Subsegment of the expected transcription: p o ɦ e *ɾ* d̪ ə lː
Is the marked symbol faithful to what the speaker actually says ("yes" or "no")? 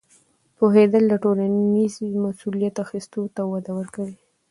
no